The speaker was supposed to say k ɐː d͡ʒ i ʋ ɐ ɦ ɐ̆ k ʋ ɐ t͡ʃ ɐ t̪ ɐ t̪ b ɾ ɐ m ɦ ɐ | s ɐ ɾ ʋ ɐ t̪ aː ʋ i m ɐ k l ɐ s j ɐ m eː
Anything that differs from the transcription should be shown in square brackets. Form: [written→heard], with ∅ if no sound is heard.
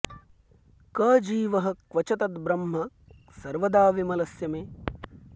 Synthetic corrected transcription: k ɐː d͡ʒ [i→iː] ʋ ɐ ɦ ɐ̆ k ʋ ɐ t͡ʃ ɐ t̪ ɐ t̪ b ɾ ɐ m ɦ ɐ | s ɐ ɾ ʋ ɐ [t̪→d̪] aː ʋ i m ɐ [k→∅] l ɐ s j ɐ m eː